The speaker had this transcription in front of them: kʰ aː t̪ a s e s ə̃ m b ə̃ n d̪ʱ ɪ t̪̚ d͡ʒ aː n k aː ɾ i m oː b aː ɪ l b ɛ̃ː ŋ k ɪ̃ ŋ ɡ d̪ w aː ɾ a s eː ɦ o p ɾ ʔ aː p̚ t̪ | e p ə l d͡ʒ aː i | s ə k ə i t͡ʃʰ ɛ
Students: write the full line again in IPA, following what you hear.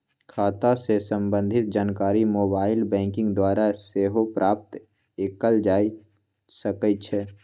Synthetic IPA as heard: kʰ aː t̪ a s e s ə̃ m b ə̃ n d̪ʱ ɪ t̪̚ d͡ʒ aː n k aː ɾ i m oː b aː ɪ l b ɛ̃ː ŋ k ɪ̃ ŋ ɡ d̪ w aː ɾ a s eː ɦ o p ɾ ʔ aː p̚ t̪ | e k ə l d͡ʒ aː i | s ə k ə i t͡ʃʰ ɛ